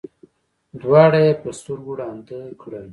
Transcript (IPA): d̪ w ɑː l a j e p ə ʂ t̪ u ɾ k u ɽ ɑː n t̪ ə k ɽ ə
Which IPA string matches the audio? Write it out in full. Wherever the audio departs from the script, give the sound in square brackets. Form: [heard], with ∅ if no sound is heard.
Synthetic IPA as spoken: d̪ w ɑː [ɽ] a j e p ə [s] t̪ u ɾ [ɡ] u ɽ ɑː n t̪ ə k ɽ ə